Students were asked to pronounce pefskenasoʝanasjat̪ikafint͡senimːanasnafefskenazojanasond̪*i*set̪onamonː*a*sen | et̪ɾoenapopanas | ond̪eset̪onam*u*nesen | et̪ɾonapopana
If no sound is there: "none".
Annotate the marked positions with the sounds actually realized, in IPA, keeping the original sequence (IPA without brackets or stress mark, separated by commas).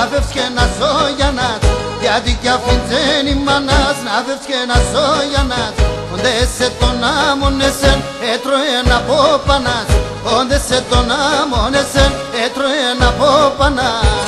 e, e, o